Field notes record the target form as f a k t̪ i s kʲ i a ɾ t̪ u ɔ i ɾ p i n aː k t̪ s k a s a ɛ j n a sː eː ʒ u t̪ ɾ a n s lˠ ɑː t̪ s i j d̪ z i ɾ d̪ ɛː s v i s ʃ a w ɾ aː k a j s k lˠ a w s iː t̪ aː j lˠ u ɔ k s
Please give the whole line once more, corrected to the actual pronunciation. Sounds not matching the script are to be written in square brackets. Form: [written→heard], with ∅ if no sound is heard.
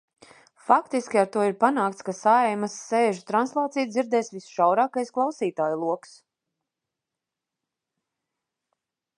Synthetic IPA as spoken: f a k t̪ i s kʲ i a ɾ t̪ u ɔ i ɾ p [i→a] n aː k t̪ s k a s a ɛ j [n→m] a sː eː ʒ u t̪ ɾ a n s lˠ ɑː t̪ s i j d̪ z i ɾ d̪ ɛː s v i s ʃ a w ɾ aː k a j s k lˠ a w s iː t̪ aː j lˠ u ɔ k s